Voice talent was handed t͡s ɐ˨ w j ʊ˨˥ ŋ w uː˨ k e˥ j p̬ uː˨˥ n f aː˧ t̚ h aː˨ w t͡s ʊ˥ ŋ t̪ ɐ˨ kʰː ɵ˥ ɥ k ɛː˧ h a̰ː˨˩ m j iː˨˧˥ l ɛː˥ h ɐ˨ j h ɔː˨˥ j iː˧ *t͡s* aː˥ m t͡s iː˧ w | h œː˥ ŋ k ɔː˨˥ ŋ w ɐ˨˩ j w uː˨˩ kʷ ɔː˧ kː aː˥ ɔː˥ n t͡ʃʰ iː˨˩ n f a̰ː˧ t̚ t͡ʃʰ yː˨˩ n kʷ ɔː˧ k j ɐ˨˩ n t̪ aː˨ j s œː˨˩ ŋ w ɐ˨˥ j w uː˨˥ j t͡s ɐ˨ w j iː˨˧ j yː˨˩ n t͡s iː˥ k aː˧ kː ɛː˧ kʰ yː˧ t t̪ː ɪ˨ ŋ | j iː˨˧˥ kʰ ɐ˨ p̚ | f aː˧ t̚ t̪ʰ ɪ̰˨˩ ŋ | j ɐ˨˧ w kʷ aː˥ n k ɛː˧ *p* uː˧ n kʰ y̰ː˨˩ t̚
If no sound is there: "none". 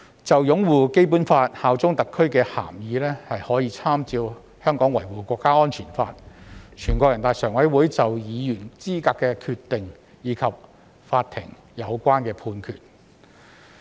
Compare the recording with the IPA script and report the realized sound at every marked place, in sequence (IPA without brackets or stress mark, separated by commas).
t͡sʰ, pʰ